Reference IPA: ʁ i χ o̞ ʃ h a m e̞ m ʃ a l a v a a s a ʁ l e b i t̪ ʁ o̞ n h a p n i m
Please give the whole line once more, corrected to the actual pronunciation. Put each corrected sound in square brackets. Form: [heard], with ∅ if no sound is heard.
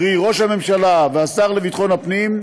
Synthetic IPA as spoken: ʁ i [ʁ] o̞ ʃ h a m e̞ m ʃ a l a v [e] a s a ʁ l e [v] i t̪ [χ] o̞ n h a p n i m